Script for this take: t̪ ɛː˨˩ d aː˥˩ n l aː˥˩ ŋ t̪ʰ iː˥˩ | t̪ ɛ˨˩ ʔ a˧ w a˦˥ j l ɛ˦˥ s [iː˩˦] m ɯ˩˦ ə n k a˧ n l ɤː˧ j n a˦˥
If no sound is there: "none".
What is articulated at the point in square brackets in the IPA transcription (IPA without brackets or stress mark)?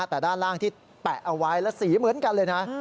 iː˩˦